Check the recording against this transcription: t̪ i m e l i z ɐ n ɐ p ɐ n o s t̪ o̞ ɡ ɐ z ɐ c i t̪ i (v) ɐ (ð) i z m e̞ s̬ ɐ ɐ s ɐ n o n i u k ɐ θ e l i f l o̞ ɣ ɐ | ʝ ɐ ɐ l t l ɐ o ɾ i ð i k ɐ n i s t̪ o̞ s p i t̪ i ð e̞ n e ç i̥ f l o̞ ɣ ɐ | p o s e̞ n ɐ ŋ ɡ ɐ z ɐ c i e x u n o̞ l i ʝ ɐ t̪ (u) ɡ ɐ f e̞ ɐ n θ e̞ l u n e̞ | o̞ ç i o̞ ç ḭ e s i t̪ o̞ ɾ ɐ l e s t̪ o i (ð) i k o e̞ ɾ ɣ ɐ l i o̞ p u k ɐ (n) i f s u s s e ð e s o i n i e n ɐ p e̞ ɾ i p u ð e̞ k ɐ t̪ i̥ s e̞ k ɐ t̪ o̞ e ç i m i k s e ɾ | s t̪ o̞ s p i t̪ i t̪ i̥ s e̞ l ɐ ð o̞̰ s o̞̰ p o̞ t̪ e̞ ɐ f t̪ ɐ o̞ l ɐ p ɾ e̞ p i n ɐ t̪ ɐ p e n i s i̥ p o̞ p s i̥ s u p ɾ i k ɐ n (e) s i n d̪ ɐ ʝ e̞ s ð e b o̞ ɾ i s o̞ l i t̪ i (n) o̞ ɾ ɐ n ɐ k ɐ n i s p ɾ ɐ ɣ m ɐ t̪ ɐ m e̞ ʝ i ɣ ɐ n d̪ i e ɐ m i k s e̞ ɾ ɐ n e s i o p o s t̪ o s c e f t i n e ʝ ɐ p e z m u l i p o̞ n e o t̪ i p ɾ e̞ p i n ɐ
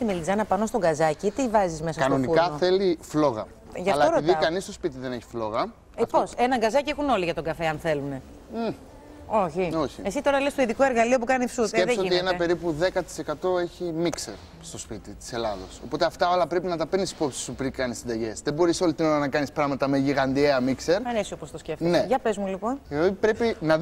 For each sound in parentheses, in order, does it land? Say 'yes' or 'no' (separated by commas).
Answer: yes, no, no, yes, yes, no, yes